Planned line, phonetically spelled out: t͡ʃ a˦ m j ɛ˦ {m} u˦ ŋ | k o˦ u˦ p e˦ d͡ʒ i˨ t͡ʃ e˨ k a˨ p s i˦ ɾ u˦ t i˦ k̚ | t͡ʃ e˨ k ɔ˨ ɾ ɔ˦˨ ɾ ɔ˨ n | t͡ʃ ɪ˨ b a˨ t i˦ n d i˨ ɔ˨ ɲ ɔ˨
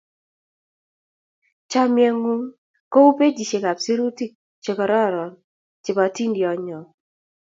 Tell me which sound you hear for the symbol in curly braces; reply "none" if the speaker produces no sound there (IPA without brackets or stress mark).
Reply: ŋ